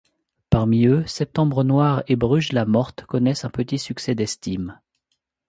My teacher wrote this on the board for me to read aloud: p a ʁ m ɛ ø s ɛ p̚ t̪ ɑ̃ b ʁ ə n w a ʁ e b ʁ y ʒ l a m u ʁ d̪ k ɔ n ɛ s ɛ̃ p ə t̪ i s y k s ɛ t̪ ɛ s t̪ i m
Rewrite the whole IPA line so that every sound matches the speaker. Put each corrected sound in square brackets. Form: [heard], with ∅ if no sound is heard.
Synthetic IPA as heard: p a ʁ m [i] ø s ɛ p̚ t̪ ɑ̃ b ʁ ə n w a ʁ e b ʁ y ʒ l a m [ɔ] ʁ [t̪] k ɔ n ɛ s ɛ̃ p ə t̪ i s y k s ɛ [d̪] ɛ s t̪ i m